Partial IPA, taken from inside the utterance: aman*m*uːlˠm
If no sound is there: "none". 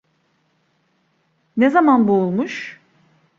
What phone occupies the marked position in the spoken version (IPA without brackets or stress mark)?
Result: b